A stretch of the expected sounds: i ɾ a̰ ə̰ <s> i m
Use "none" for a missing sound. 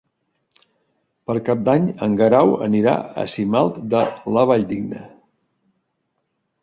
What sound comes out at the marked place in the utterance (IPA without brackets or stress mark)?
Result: s